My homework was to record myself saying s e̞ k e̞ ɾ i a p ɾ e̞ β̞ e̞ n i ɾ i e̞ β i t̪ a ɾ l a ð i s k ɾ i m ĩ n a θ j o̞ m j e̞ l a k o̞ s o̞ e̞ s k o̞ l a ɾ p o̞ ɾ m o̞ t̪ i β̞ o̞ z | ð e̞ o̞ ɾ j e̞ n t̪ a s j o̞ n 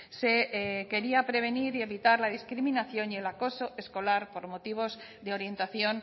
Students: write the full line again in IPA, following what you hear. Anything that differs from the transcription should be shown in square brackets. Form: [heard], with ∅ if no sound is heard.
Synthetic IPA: s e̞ k e̞ ɾ i a p ɾ e̞ β̞ e̞ n i ɾ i e̞ β i t̪ a ɾ l a ð i s k ɾ i m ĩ n a θ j o̞ [n] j e̞ l a k o̞ s o̞ e̞ s k o̞ l a ɾ p o̞ ɾ m o̞ t̪ i β̞ o̞ z | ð e̞ o̞ ɾ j e̞ n t̪ a [θ] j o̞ n